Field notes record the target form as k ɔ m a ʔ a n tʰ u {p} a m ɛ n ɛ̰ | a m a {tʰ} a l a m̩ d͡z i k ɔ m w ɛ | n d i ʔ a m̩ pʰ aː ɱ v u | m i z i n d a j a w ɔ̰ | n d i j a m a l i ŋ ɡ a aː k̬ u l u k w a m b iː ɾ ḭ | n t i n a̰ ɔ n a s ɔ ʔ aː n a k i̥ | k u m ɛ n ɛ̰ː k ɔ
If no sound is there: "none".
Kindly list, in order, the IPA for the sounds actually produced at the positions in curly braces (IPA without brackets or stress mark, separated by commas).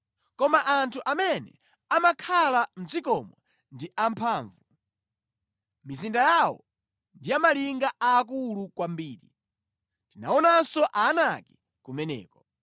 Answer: ʔ, kʰ